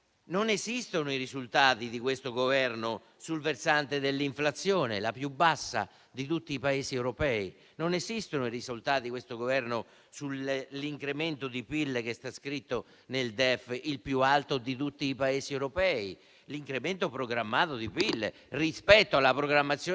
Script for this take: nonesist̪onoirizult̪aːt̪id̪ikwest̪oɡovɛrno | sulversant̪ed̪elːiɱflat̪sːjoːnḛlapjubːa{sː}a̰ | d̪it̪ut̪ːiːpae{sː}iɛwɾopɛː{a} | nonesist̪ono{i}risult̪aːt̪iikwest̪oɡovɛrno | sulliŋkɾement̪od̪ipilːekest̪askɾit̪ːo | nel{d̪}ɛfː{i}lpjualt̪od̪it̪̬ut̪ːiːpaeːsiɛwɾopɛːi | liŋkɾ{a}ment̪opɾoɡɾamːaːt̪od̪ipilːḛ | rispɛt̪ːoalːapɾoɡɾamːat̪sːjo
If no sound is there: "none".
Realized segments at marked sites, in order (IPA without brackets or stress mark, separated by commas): sː, s, i, i, d̪, i, e